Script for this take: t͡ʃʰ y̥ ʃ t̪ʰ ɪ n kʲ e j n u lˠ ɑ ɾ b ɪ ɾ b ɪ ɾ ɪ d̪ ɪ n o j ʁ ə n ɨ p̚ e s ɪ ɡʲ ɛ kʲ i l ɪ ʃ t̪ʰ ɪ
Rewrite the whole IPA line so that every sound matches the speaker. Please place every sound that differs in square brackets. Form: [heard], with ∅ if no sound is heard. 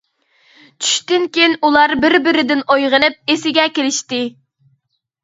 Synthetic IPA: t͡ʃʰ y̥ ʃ [t̪] ɪ n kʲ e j n u lˠ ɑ ɾ b ɪ ɾ b ɪ ɾ ɪ d̪ ɪ n o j ʁ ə n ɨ p̚ e s ɪ ɡʲ ɛ kʲ [e] l ɪ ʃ [t̪] ɪ